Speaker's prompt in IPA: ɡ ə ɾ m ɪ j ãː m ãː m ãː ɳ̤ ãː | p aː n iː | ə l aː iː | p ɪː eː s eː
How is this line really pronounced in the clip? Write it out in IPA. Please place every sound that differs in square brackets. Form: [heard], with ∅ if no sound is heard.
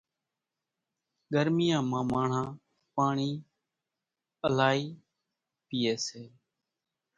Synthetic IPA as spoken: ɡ ə ɾ m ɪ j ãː m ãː m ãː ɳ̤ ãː | p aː [ɳ] iː | ə l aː iː | p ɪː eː s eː